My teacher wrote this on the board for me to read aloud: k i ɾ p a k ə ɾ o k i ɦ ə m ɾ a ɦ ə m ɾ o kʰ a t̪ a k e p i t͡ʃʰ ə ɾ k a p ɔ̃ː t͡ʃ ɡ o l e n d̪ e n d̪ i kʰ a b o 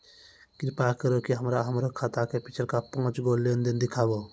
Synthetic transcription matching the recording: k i ɾ p a k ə ɾ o k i ɦ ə m ɾ a ɦ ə m ɾ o kʰ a t̪ a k e p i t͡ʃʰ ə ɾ k a p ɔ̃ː t͡ʃ ɡ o l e n d̪ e n d̪ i kʰ a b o